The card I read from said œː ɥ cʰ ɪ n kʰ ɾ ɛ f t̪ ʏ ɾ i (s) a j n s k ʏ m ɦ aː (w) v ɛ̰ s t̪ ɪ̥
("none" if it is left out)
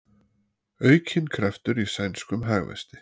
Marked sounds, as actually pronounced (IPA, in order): s, ɣ

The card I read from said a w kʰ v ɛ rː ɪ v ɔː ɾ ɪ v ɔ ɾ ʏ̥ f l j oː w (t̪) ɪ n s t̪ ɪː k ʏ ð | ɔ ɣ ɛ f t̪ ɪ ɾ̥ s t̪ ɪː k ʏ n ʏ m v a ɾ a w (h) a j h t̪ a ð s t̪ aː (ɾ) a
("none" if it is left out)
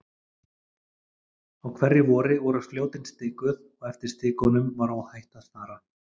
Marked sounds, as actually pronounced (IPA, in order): t̪, h, ɾ

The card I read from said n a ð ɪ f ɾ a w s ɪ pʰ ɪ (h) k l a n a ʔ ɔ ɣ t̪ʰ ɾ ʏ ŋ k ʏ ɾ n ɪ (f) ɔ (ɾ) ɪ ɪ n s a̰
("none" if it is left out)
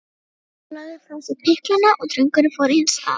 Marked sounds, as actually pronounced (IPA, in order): h, f, ɾ

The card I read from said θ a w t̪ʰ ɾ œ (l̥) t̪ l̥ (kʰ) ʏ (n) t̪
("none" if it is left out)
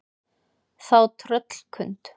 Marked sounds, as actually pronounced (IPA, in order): none, kʰ, n

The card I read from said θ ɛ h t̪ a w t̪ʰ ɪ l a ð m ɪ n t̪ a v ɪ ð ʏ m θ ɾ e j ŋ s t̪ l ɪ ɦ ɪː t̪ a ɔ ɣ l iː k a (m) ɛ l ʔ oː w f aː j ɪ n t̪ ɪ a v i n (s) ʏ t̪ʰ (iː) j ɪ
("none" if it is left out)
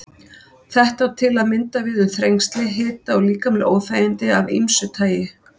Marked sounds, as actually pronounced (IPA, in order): m, s, aː

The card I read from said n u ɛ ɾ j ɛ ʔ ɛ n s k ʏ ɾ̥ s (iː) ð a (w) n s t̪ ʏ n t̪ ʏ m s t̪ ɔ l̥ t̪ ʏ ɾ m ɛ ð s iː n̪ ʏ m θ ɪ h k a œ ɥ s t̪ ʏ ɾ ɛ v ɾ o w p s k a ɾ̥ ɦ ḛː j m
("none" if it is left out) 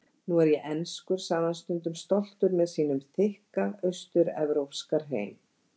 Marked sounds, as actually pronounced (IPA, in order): aː, none

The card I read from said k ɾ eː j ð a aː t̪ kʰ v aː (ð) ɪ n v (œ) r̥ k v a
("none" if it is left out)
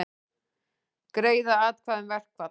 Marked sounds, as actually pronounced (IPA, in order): ð, ɛ

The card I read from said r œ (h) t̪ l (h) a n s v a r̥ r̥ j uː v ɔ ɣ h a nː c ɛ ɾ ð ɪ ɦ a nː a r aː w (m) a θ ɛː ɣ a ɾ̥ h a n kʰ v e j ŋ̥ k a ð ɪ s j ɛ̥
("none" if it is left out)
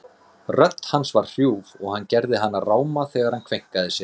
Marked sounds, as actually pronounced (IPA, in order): none, h, m

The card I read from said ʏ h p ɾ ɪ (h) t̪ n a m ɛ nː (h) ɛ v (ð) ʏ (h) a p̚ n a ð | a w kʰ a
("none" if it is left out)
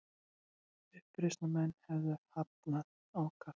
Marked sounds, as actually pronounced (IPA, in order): s, h, ð, h

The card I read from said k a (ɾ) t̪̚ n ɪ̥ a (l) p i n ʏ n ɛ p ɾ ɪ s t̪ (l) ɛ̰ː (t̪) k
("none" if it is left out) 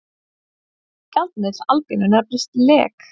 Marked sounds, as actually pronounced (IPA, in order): l, l, l, none

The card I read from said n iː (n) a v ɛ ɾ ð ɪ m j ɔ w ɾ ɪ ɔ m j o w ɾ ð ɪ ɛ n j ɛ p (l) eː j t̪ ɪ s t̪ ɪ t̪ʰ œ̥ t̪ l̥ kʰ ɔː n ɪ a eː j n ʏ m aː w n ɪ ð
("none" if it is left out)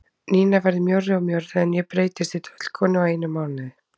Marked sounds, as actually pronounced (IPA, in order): n, ɾ

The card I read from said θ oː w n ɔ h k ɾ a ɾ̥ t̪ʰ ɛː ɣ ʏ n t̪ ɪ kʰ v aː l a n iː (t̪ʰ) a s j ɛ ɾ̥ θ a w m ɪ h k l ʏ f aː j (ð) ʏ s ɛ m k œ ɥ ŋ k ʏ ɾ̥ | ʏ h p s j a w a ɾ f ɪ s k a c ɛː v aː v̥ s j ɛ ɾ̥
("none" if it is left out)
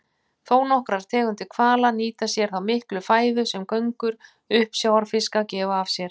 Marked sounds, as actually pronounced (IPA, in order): t̪, ð

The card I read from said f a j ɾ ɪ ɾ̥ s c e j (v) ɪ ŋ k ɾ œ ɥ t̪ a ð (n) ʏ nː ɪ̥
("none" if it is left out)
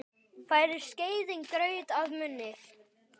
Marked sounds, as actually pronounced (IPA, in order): ð, m

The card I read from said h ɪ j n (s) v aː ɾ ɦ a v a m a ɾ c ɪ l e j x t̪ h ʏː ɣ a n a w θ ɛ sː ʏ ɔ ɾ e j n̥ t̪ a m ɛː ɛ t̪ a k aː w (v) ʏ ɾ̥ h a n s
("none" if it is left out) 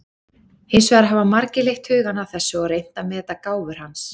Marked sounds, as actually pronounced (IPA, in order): s, v

